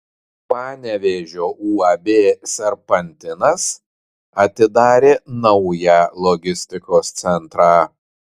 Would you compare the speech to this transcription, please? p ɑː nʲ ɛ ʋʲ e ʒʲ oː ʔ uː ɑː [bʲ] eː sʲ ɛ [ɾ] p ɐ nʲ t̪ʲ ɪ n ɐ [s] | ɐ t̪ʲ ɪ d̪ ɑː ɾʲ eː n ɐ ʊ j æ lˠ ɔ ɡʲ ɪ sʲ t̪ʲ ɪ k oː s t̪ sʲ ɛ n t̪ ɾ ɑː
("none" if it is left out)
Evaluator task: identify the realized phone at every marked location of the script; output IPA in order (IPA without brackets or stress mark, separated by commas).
bʲ, ɾ, s